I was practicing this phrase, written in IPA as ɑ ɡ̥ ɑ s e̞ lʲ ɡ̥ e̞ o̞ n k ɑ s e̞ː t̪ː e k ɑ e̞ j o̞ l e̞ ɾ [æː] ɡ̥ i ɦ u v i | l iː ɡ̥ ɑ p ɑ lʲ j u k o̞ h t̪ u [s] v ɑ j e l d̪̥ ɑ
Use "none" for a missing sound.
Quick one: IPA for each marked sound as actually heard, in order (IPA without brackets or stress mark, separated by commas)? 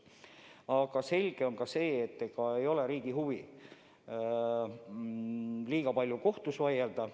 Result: iː, s